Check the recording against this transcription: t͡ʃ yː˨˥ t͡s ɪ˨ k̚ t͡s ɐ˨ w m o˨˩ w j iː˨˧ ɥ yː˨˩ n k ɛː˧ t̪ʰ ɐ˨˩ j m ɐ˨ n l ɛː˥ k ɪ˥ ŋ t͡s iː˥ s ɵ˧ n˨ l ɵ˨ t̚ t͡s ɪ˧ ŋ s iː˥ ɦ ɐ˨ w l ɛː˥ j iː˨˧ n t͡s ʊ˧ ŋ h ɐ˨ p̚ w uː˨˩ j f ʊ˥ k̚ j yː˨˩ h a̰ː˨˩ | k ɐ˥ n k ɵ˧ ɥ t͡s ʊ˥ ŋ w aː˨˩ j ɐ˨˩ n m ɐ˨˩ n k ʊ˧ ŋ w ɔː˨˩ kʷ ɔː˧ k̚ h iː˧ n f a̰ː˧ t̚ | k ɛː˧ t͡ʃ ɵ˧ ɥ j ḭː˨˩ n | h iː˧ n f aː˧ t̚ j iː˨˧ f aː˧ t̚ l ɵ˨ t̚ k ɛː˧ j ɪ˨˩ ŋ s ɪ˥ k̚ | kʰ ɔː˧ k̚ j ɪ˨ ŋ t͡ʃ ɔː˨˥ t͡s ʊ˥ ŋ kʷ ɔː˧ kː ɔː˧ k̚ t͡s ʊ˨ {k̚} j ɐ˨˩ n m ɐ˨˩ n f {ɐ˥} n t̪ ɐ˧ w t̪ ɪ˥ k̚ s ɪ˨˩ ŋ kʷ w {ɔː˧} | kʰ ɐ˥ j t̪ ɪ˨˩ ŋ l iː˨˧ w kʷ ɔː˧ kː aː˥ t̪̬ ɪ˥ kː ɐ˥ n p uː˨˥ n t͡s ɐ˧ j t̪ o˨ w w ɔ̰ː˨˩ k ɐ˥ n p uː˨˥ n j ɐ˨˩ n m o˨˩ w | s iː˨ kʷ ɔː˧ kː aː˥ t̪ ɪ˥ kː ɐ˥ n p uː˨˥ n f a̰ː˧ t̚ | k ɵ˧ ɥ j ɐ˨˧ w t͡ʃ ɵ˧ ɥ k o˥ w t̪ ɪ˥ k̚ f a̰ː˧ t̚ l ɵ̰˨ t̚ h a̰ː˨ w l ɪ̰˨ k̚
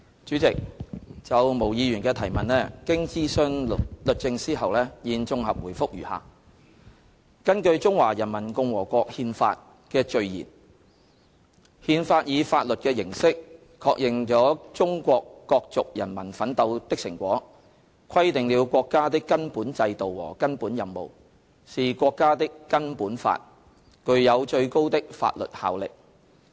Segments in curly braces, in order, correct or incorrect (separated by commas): correct, incorrect, incorrect